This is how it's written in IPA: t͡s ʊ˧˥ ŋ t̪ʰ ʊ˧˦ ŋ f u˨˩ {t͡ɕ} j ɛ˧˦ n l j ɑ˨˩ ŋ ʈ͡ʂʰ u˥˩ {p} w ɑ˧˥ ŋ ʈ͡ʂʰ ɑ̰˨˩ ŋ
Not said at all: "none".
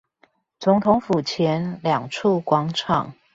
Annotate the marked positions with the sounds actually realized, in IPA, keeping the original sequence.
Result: t͡ɕʰ, k

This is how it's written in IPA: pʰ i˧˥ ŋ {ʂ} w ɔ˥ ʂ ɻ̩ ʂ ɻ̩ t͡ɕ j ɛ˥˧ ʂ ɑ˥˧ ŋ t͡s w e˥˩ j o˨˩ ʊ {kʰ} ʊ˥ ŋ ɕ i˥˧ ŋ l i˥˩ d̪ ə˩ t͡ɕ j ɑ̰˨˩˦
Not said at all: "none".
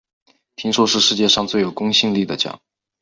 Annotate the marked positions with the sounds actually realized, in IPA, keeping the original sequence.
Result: ʂ, k

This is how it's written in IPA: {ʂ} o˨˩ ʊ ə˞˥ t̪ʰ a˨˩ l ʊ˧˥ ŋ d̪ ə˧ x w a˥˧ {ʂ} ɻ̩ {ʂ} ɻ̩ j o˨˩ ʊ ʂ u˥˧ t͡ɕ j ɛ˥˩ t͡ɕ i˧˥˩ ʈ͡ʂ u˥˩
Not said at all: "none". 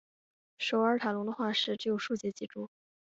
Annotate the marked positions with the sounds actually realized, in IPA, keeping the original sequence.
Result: ʂ, ʂ, ʈ͡ʂ

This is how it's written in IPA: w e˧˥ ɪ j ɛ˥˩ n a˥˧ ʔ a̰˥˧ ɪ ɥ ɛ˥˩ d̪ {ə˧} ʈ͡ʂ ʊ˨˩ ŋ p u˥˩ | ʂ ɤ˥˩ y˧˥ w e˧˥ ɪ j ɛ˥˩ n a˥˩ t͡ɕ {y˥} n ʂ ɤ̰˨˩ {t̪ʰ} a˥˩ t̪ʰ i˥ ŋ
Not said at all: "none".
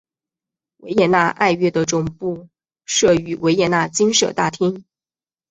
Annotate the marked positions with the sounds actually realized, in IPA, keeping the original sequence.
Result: ə˩, i˥, t̪

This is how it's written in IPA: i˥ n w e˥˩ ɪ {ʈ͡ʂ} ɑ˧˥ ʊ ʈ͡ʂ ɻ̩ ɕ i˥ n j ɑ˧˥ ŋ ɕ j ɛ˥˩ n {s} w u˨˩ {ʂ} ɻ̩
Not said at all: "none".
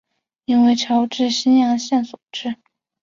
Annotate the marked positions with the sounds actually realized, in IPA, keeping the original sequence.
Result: ʈ͡ʂʰ, s, ʈ͡ʂ

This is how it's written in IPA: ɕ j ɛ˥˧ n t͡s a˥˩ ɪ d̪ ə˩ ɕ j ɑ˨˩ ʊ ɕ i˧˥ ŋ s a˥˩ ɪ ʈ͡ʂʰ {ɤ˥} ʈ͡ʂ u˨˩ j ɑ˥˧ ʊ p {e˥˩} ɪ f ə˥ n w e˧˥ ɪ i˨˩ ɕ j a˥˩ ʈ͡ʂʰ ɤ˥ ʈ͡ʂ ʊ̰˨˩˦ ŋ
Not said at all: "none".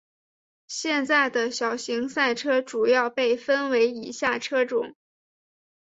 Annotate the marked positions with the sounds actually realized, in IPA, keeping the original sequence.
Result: ɤ˥, e˥˩

